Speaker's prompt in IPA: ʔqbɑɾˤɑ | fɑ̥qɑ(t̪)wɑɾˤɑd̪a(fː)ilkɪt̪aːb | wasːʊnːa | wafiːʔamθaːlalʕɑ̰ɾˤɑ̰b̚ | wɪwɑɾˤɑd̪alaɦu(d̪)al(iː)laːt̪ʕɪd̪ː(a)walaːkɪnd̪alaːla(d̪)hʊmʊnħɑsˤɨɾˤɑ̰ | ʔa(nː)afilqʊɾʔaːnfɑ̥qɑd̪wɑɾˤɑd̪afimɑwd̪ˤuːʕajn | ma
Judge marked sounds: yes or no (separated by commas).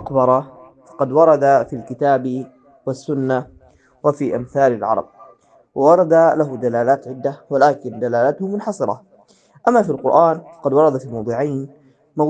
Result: no, no, yes, no, yes, no, no